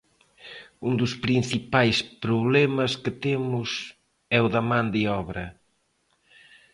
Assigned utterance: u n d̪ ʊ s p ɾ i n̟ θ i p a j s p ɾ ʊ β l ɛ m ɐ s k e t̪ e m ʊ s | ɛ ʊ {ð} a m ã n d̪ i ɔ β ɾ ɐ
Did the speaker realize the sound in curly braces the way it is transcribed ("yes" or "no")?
yes